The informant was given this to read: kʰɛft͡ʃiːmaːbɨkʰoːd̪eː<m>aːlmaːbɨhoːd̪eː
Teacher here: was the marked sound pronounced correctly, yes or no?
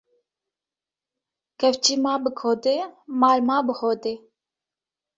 yes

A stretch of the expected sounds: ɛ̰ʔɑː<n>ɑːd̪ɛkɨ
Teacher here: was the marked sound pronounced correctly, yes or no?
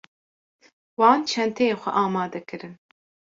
no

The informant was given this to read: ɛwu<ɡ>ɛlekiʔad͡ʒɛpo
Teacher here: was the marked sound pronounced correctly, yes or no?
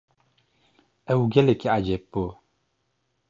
yes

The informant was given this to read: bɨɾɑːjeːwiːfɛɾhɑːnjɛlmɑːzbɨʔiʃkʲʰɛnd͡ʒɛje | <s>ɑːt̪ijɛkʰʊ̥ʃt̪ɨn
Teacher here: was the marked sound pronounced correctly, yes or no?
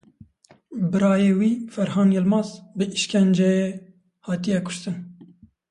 no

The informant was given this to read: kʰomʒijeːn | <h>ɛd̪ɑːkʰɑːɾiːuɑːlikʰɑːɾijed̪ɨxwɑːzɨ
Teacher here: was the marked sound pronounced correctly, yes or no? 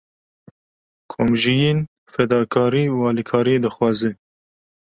no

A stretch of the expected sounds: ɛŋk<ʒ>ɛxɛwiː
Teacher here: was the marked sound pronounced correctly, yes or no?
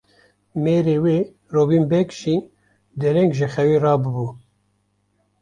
yes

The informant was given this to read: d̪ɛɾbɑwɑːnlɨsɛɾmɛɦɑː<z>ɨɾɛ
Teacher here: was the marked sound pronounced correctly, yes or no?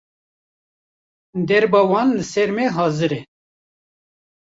yes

